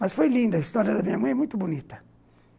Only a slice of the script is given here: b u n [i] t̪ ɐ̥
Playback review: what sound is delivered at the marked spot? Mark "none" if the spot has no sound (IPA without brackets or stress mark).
i